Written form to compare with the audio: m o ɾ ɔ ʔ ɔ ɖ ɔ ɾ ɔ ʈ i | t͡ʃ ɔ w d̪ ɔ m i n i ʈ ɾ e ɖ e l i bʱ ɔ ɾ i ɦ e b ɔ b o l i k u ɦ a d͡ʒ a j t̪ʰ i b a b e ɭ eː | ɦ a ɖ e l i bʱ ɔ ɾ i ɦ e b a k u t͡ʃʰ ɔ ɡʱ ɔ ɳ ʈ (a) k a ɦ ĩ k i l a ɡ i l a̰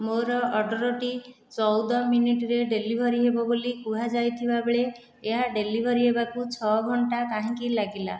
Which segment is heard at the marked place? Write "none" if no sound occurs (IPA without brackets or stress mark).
a